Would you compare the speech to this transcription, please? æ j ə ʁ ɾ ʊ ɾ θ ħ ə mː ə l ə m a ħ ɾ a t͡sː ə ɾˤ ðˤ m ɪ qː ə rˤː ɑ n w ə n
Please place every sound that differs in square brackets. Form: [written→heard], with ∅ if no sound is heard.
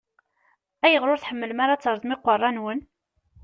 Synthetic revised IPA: æ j ə ʁ ɾ ʊ ɾ θ ħ ə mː ə l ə m a [ħ→∅] ɾ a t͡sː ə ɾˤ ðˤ m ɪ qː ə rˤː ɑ n w ə n